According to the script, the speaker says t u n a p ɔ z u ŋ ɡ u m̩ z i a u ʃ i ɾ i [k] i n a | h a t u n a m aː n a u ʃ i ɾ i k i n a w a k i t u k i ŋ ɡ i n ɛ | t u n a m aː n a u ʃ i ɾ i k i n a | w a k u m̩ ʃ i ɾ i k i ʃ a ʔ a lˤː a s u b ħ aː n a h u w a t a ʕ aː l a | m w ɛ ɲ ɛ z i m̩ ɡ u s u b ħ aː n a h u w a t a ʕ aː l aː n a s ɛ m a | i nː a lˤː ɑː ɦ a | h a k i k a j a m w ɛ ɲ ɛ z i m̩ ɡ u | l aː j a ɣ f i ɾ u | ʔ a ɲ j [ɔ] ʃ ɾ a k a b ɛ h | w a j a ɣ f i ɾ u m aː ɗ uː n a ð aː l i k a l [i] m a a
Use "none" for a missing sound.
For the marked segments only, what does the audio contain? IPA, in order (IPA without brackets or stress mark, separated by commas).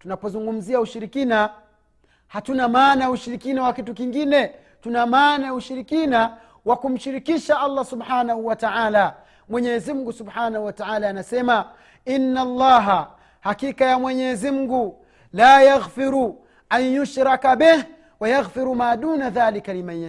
k, u, i